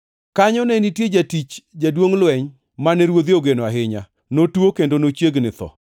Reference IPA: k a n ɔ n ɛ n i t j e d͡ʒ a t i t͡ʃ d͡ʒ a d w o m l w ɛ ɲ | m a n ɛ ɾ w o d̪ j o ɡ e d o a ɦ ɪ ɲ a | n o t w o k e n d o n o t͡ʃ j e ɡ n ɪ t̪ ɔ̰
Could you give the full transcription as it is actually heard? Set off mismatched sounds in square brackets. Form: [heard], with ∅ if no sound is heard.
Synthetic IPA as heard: k a [ɲ] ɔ n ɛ n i t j e d͡ʒ a t i t͡ʃ d͡ʒ a d w o [ŋ] l w ɛ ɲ | m a n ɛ ɾ w o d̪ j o ɡ e [n] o a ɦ ɪ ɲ a | n o t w o k e n d o n o t͡ʃ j e ɡ n ɪ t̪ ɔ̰